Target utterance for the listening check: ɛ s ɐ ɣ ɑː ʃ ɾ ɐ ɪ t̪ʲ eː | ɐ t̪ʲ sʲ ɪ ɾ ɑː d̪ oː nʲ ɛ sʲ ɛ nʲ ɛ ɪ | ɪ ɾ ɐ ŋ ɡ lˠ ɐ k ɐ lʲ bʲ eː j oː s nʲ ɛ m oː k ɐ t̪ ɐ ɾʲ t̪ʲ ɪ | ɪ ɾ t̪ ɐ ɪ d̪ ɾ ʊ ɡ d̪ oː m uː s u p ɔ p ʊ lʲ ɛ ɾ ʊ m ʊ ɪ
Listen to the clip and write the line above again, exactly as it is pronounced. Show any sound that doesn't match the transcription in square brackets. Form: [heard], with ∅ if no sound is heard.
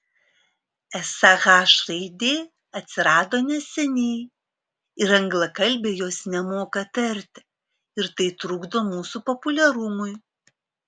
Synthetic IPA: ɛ s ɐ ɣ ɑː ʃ ɾ ɐ ɪ [d̪ʲ] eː | ɐ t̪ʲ sʲ ɪ ɾ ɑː d̪ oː nʲ ɛ sʲ ɛ nʲ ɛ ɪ | ɪ ɾ ɐ ŋ ɡ lˠ ɐ k ɐ lʲ bʲ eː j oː s nʲ ɛ m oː k ɐ t̪ ɐ ɾʲ t̪ʲ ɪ | ɪ ɾ t̪ ɐ ɪ [t̪] ɾ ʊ ɡ d̪ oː m uː s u p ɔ p ʊ lʲ ɛ ɾ ʊ m ʊ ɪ